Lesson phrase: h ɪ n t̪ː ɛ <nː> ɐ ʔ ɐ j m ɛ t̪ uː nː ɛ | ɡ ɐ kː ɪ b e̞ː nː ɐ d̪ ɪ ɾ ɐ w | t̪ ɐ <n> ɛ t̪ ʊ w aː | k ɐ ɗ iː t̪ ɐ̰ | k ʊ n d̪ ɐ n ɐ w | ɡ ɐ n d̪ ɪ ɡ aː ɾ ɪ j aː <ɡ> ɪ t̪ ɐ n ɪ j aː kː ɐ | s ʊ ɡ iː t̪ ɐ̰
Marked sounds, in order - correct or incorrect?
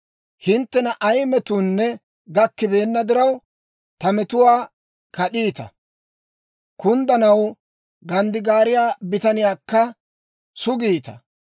incorrect: n, incorrect: m, incorrect: b

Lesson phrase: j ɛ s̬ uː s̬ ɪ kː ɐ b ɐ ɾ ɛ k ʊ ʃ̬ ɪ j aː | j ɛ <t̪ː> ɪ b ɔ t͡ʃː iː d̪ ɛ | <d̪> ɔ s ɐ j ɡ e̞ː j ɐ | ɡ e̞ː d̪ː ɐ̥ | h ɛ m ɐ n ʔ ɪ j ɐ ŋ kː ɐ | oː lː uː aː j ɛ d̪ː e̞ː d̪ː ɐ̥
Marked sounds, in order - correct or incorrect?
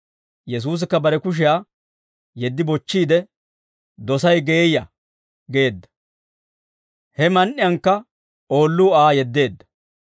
incorrect: d̪ː, correct

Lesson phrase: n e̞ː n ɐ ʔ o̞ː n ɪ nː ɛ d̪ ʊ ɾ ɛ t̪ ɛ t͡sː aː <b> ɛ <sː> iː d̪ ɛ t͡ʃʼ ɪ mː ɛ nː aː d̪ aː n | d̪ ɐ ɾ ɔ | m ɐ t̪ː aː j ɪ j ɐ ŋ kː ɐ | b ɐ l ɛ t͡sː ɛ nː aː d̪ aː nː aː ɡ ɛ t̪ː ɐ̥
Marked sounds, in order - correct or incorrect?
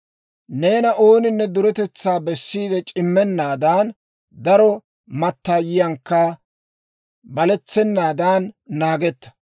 correct, correct

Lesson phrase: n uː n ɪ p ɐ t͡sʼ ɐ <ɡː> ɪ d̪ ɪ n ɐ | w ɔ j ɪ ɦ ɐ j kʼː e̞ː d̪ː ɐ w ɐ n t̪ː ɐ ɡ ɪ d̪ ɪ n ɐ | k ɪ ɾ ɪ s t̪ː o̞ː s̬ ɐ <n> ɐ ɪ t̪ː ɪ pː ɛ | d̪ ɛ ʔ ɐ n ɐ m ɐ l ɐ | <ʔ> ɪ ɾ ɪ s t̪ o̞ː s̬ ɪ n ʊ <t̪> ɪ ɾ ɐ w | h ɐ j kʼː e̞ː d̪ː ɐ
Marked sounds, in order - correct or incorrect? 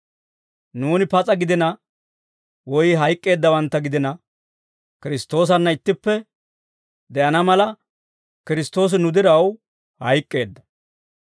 incorrect: ɡ, incorrect: nː, incorrect: k, incorrect: d̪

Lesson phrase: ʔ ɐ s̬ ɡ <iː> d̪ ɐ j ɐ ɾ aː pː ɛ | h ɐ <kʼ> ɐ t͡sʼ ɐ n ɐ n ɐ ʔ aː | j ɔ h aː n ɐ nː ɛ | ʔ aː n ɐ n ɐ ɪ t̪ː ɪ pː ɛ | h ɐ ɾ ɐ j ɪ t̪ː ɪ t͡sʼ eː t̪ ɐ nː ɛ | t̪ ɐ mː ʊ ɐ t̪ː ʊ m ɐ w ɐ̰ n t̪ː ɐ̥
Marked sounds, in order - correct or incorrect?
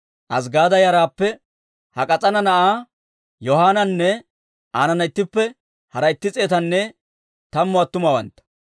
incorrect: aː, correct

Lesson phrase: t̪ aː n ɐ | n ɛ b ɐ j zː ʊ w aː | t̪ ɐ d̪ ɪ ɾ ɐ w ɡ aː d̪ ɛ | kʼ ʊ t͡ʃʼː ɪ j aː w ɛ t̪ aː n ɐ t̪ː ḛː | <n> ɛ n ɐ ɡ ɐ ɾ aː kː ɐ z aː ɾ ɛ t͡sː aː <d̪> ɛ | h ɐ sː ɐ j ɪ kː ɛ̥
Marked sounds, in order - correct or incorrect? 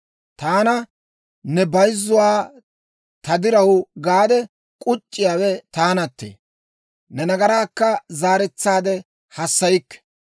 correct, correct

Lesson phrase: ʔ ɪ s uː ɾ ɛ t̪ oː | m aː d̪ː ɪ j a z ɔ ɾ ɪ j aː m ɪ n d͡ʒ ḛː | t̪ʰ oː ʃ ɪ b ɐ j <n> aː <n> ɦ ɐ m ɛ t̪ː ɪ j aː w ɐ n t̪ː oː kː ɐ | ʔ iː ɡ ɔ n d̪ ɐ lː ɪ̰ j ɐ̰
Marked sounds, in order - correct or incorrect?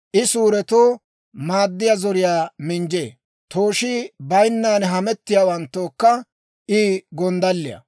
incorrect: nː, correct

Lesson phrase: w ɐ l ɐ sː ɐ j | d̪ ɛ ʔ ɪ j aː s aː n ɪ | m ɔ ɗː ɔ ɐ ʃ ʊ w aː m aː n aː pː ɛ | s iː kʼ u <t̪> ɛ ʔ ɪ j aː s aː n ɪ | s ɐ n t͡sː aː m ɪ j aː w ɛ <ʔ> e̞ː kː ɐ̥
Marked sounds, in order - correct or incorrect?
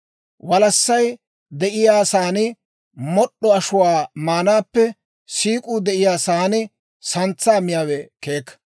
incorrect: d̪, incorrect: k

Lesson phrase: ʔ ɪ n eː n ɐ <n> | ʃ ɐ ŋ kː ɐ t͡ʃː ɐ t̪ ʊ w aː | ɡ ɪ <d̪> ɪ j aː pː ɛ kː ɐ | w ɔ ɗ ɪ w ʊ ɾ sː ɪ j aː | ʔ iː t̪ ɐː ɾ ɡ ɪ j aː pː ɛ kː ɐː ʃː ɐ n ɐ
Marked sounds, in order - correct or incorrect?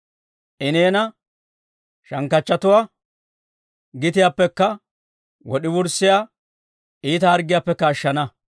incorrect: none, incorrect: t̪

